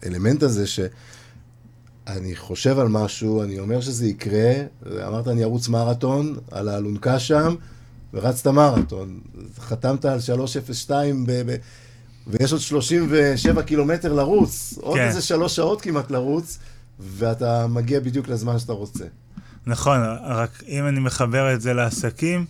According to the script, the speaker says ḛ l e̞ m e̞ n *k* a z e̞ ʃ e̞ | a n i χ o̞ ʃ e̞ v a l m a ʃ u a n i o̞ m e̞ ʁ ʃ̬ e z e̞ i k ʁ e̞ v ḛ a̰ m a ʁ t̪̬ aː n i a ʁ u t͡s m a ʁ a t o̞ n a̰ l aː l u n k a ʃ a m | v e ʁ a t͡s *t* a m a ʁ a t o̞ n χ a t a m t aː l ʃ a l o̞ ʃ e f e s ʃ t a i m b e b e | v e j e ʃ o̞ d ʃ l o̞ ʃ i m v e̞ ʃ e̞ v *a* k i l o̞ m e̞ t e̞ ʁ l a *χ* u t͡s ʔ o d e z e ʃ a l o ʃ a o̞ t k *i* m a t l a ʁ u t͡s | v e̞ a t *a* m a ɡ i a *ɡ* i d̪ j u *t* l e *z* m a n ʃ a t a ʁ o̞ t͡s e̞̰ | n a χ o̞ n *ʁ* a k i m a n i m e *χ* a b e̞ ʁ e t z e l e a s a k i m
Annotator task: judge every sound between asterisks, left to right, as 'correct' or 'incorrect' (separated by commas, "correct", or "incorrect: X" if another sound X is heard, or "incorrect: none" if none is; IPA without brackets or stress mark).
incorrect: t, correct, correct, incorrect: ʁ, correct, correct, incorrect: b, incorrect: k, correct, correct, correct